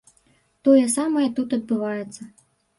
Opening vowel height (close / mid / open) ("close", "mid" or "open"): mid